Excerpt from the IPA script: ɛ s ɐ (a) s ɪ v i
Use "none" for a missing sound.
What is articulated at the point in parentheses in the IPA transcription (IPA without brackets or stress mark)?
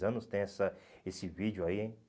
e